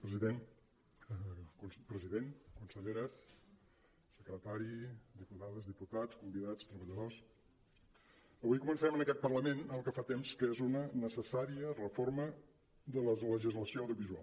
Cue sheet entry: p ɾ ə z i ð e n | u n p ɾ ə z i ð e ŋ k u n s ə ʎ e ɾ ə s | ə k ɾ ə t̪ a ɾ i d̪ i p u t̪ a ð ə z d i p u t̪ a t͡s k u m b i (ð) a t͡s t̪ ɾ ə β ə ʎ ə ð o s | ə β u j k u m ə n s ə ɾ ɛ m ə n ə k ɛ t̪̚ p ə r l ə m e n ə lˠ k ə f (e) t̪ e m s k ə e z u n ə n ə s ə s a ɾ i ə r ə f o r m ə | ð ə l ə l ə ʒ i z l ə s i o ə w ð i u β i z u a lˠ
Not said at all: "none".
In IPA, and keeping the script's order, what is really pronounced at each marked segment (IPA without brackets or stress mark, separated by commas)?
ð, a